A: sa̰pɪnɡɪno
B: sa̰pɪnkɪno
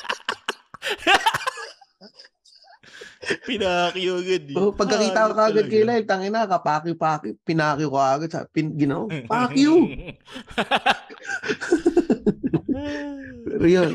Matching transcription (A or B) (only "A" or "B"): A